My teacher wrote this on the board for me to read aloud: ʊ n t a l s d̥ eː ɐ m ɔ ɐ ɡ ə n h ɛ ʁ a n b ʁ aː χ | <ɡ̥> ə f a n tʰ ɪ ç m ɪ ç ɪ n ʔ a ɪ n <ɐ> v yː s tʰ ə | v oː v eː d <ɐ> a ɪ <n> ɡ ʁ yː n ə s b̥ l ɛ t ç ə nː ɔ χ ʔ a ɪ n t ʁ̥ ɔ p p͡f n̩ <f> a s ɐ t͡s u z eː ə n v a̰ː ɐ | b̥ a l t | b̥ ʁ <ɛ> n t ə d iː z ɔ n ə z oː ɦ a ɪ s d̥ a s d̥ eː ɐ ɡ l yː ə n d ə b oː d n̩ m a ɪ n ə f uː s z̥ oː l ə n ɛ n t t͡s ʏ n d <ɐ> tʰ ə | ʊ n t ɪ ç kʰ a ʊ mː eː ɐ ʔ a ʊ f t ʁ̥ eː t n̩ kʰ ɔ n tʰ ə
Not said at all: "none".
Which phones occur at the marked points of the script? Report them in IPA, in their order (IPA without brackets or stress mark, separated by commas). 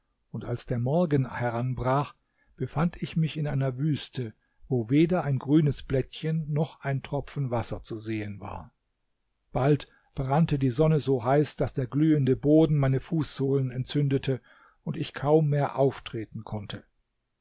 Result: b̥, ɐ, ɐ, n, v, a, ə